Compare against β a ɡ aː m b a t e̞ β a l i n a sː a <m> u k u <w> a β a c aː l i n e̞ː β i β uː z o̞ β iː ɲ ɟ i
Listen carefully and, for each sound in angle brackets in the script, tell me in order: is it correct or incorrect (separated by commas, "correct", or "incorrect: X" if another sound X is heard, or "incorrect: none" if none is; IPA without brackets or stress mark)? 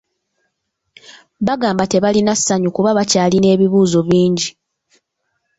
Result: incorrect: ɲ, incorrect: β